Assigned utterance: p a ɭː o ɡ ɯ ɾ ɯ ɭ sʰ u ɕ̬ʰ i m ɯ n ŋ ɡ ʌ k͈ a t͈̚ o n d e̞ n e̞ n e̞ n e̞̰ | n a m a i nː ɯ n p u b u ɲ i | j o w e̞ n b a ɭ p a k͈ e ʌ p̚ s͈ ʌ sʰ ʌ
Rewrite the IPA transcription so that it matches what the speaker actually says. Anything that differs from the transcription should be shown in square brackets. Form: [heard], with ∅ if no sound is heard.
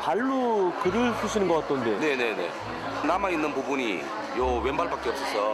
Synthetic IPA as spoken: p a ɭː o [k] ɯ ɾ ɯ ɭ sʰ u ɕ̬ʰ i [n] ɯ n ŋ ɡ ʌ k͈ a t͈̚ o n d e̞ n e̞ n e̞ n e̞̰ | n a m a i nː ɯ n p u b u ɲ i | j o w e̞ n b a ɭ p a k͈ e ʌ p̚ s͈ ʌ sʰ ʌ